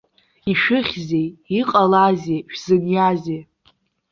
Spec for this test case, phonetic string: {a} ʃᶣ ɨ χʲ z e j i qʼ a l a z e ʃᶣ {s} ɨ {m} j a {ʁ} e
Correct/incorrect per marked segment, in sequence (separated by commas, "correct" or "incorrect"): incorrect, incorrect, incorrect, incorrect